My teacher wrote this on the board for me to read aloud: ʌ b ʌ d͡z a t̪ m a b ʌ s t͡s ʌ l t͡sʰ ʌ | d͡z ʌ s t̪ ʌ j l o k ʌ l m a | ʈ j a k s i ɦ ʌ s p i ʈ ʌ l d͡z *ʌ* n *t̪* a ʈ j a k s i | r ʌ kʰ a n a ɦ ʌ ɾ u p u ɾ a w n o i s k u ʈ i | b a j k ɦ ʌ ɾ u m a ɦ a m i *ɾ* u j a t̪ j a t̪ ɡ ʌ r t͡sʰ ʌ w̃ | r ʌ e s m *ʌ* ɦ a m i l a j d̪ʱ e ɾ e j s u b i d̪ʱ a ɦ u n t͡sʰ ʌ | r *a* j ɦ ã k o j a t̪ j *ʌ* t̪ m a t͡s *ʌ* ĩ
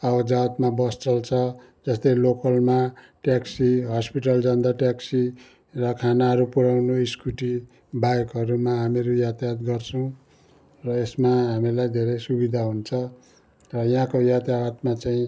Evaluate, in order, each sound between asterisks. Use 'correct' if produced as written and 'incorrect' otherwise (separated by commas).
correct, incorrect, correct, incorrect, incorrect, incorrect, incorrect